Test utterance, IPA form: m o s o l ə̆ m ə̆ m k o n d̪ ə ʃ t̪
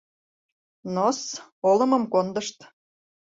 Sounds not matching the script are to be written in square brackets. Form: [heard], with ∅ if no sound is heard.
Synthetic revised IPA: [n] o s o l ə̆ m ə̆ m k o n d̪ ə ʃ t̪

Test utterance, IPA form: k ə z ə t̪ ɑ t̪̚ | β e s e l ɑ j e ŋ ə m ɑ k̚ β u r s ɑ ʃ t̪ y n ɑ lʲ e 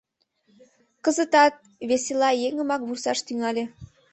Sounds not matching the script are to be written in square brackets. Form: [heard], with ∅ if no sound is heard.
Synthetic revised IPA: k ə z ə t̪ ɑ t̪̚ | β e s e l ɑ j e ŋ ə m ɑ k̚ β u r s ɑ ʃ t̪ y [ŋ] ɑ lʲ e

